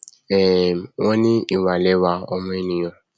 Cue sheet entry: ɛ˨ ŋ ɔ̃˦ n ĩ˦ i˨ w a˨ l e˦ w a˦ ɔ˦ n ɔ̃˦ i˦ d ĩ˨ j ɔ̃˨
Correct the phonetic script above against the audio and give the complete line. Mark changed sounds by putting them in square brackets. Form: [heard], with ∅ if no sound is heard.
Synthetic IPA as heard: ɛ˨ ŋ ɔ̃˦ n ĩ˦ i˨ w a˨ l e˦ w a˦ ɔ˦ [m] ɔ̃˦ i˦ [n] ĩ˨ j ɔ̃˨